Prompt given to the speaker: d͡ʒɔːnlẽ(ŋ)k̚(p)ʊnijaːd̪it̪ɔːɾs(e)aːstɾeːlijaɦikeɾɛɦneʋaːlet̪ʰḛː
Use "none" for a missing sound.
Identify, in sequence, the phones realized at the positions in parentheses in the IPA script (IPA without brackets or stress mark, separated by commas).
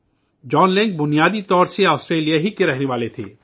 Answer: ŋ, b, e